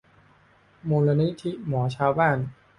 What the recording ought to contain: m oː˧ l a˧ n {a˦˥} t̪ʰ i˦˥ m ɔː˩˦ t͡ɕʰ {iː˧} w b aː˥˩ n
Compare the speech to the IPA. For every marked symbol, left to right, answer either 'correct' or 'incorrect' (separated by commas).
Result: incorrect, incorrect